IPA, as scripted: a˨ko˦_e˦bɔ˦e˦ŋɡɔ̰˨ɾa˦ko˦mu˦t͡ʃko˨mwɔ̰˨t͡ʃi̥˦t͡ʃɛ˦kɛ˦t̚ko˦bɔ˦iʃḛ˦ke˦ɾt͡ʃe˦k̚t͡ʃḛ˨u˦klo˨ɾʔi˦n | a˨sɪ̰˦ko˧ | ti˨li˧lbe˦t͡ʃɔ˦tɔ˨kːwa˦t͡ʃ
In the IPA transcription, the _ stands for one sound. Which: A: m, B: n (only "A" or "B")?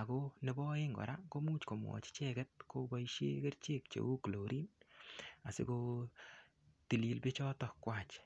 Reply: B